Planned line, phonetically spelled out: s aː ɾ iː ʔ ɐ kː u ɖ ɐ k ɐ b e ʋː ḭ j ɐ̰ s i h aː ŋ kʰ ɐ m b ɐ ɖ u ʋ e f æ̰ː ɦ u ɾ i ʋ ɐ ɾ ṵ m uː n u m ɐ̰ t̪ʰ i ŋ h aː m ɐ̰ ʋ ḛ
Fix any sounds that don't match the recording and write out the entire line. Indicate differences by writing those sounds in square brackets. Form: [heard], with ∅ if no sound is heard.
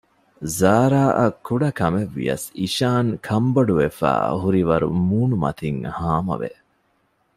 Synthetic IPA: [z] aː ɾ [aː] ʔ ɐ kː u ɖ ɐ k ɐ [m] e ʋː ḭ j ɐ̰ s i [ʃ] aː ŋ kʰ ɐ m b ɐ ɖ u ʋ e f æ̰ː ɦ u ɾ i ʋ ɐ ɾ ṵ m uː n u m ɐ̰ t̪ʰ i ŋ h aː m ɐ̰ ʋ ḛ